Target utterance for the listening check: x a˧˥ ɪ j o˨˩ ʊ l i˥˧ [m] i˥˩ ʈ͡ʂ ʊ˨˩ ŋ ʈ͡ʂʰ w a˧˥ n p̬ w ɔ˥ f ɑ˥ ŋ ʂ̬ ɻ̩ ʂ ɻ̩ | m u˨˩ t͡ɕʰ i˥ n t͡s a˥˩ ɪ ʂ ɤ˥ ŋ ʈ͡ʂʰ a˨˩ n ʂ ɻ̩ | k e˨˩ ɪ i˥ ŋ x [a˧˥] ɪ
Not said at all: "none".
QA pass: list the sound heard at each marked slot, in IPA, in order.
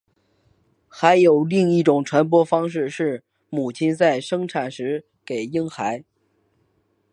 ŋ, a˧˥

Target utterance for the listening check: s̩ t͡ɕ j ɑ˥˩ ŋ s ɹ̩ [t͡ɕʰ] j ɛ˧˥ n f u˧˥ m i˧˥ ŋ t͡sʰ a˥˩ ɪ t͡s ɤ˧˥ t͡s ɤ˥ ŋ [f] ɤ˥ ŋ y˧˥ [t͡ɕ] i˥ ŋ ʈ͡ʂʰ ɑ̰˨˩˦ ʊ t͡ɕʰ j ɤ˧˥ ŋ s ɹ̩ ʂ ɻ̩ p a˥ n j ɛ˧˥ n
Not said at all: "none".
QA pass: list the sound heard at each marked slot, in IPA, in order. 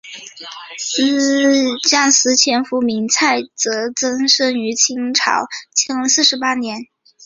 t͡ɕʰ, ʂ, t͡ɕʰ

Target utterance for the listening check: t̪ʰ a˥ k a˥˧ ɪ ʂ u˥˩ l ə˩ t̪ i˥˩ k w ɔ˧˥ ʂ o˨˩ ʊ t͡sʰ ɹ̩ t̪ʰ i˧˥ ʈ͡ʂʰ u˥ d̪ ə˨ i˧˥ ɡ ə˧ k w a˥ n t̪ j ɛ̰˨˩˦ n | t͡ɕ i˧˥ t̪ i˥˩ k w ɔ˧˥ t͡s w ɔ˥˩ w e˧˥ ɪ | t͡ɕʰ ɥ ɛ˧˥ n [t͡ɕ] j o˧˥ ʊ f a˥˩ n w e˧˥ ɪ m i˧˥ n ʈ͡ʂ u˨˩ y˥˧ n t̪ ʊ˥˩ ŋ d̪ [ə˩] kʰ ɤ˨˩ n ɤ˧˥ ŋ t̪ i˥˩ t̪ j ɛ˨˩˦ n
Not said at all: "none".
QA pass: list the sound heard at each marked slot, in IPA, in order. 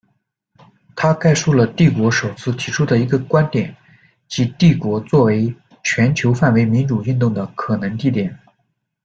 t͡ɕʰ, ə˩

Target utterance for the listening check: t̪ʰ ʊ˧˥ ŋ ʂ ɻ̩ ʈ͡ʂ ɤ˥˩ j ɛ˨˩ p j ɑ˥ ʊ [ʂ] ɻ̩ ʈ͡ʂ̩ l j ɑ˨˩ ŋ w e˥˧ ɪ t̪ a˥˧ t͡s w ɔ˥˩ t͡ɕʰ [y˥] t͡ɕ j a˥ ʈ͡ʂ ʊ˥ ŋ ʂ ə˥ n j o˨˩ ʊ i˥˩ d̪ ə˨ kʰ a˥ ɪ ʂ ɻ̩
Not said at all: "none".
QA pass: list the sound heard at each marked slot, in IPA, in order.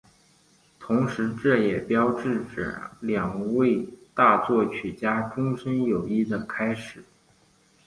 ʈ͡ʂ, y˨˩

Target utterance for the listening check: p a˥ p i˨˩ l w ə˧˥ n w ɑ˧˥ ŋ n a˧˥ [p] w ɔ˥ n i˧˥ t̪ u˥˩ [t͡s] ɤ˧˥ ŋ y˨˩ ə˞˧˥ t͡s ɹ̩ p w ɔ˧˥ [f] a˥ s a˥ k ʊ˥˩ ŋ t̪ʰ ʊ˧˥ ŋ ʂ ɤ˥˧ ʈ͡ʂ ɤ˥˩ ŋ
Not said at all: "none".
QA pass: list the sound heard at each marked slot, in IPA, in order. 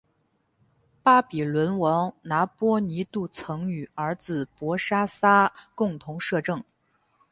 p, t͡sʰ, ʂ

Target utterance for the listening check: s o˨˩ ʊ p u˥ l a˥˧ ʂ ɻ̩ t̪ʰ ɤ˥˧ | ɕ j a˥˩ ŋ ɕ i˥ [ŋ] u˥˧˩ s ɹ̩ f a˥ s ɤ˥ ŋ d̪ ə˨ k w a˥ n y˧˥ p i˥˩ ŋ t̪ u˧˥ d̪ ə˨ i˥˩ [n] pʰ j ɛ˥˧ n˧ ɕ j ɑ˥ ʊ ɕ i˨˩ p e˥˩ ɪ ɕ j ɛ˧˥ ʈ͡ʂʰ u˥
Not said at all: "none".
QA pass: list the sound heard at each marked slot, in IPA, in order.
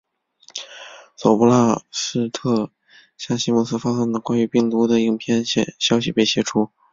m, ŋ

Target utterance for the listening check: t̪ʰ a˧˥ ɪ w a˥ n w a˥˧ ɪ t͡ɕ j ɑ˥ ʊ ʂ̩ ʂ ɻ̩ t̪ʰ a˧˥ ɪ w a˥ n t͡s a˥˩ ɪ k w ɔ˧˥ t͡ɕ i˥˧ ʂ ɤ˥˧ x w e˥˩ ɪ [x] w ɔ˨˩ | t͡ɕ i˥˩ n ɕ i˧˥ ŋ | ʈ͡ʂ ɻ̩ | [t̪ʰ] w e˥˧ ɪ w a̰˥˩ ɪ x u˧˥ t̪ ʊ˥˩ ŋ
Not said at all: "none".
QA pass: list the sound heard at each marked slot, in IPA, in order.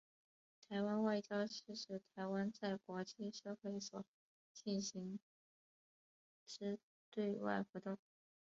s, t̪

